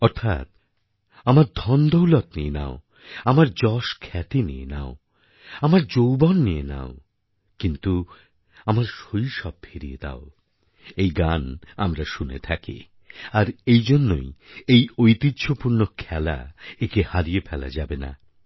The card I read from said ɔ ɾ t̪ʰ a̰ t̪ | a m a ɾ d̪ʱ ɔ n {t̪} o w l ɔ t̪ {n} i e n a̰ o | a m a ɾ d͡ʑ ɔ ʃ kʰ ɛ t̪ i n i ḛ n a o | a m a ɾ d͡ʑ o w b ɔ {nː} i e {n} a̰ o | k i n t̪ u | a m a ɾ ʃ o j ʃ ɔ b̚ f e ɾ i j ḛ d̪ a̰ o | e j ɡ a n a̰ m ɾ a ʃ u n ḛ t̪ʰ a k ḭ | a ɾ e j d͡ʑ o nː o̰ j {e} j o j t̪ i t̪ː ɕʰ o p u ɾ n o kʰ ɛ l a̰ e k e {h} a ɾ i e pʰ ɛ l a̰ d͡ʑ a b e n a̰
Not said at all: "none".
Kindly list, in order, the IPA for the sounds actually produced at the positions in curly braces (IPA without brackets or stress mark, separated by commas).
d̪, n, nː, n, e, h